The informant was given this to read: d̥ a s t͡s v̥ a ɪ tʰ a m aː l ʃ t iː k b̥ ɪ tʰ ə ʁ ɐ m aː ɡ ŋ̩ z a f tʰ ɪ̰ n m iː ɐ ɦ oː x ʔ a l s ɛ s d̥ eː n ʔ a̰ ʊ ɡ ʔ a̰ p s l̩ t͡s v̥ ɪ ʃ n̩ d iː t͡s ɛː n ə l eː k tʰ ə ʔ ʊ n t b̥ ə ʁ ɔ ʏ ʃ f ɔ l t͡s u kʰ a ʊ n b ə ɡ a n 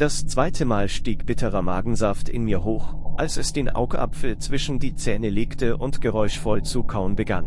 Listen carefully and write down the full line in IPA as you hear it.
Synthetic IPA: d̥ a s t͡s v̥ a ɪ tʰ ə m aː l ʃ t iː k b̥ ɪ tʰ ə ʁ ɐ m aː ɡ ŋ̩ z a f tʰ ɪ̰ n m iː ɐ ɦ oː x ʔ a l s ɛ s d̥ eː n ʔ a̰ ʊ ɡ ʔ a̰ p f l̩ t͡s v̥ ɪ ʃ n̩ d iː t͡s ɛː n ə l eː k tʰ ə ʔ ʊ n t ɡ̥ ə ʁ ɔ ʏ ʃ f ɔ l t͡s u kʰ a ʊ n b ə ɡ a n

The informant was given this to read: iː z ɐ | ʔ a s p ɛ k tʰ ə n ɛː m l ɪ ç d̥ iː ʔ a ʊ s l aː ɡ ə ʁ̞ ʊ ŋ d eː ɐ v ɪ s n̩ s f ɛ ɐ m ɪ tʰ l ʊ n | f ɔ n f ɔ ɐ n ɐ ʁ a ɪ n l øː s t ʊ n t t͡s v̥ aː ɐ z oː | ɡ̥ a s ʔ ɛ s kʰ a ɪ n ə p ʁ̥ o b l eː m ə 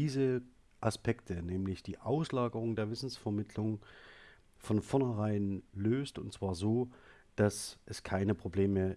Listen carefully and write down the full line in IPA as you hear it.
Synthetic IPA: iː z ə | ʔ a s p ɛ k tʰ ə n ɛː m l ɪ ç d̥ iː ʔ a ʊ s l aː ɡ ə ʁ̞ ʊ ŋ d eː ɐ v ɪ s n̩ s f ɛ ɐ m ɪ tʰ l ʊ ŋ | f ɔ n f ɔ ɐ n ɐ ʁ a ɪ n l øː s t ʊ n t t͡s v̥ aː ɐ z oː | d̥ a s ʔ ɛ s kʰ a ɪ n ə p ʁ̥ o b l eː m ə

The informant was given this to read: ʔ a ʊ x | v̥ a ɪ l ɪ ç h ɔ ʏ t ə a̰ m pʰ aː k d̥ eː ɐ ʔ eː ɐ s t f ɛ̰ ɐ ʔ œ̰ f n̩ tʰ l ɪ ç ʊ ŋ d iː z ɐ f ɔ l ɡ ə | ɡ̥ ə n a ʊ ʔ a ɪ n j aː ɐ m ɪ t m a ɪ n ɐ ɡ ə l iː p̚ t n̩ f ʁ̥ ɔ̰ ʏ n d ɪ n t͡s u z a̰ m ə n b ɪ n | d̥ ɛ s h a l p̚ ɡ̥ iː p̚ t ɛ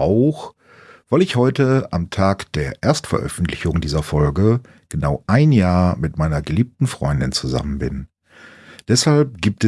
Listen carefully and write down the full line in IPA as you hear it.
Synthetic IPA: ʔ a ʊ x | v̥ a ɪ l ɪ ç h ɔ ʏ t ə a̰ m tʰ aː k d̥ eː ɐ ʔ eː ɐ s t f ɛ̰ ɐ ʔ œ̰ f n̩ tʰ l ɪ ç ʊ ŋ d iː z ɐ f ɔ l ɡ ə | ɡ̥ ə n a ʊ ʔ a ɪ n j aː ɐ m ɪ t m a ɪ n ɐ ɡ ə l iː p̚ t n̩ f ʁ̥ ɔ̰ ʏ n d ɪ n t͡s u z a̰ m ə n b ɪ n | d̥ ɛ s h a l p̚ ɡ̥ iː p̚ t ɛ

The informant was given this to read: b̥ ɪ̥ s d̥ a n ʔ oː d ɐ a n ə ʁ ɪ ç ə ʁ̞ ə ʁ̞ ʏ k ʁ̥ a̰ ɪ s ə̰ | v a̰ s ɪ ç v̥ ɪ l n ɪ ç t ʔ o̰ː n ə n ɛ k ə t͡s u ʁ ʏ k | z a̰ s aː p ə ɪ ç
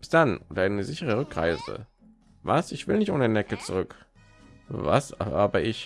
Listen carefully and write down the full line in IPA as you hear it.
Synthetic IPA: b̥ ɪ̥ s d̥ a n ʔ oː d ɐ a n ə z ɪ ç ə ʁ̞ ə ʁ̞ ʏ k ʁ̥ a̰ ɪ z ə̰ | v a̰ s ɪ ç v̥ ɪ l n ɪ ç t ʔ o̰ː n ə n ɛ k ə t͡s u ʁ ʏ k | v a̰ s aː b ə ɪ ç

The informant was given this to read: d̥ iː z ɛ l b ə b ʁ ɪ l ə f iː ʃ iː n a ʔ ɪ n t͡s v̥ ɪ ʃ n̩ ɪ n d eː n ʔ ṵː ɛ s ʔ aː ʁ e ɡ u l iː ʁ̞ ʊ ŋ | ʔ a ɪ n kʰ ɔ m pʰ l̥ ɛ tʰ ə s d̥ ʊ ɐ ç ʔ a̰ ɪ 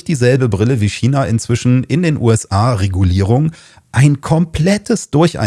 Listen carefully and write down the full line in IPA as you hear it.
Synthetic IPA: d̥ iː z ɛ l b ə b ʁ ɪ l ə v iː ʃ iː n a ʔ ɪ n t͡s v̥ ɪ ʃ n̩ ɪ n d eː n ʔ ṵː ɛ s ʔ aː ʁ e ɡ u l iː ʁ̞ ʊ ŋ | ʔ a ɪ n kʰ ɔ m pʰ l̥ ɛ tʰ ə s d̥ ʊ ɐ ç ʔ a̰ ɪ

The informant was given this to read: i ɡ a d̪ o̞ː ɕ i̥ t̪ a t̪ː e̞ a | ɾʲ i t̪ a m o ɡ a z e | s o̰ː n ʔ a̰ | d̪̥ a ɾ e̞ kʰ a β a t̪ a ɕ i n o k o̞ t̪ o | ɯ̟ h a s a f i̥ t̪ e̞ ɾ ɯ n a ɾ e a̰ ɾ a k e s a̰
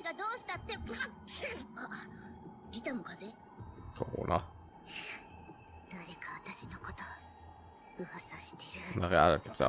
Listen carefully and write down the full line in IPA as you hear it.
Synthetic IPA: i ɡ a d̪ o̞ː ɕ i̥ t̪ a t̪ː e̞ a | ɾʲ i t̪ a m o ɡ a z e | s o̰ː n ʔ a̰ | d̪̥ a ɾ e̞ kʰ a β a t̪ a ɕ i n o k o̞ t̪ o | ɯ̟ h a s a ɕ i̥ t̪ e̞ ɾ ɯ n a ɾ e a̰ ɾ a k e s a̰

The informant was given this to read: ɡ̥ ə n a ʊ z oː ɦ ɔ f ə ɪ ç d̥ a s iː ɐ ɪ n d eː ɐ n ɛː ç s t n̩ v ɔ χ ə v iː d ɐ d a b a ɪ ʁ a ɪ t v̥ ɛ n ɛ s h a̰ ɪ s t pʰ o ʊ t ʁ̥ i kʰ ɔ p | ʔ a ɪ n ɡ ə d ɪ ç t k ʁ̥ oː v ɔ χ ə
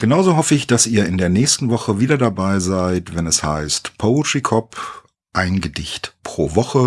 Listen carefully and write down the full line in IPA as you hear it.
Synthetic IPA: ɡ̥ ə n a ʊ z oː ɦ ɔ f ə ɪ ç d̥ a s iː ɐ ɪ n d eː ɐ n ɛː ç s t n̩ v ɔ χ ə v iː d ɐ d a b a ɪ z a ɪ t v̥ ɛ n ɛ s h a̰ ɪ s t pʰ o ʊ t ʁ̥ i kʰ ɔ p | ʔ a ɪ n ɡ ə d ɪ ç t p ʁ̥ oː v ɔ χ ə

